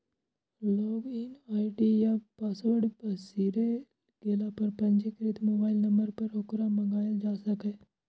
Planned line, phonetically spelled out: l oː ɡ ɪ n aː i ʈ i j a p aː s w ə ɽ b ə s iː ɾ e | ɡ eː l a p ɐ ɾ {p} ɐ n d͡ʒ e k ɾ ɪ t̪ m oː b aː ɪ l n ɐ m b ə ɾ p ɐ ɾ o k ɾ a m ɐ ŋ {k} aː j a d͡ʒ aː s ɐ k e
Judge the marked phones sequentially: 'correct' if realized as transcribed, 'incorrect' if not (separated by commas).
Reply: correct, incorrect